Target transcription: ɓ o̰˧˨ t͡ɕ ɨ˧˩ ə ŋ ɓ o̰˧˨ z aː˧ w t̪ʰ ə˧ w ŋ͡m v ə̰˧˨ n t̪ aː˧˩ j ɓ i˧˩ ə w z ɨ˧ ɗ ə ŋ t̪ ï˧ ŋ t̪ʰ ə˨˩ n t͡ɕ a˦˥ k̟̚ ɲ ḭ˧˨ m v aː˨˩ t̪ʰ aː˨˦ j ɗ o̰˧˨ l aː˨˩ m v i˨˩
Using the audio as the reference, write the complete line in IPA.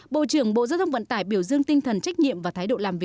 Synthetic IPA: ɓ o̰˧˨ t͡ɕ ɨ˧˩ ə ŋ ɓ o̰˧˨ z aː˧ w t̪ʰ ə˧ w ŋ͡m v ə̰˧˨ n t̪ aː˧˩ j ɓ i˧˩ ə w z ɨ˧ ə ŋ t̪ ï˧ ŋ t̪ʰ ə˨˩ n t͡ɕ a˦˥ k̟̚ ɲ ḭ˧˨ m v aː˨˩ t̪ʰ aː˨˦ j ɗ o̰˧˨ l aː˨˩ m v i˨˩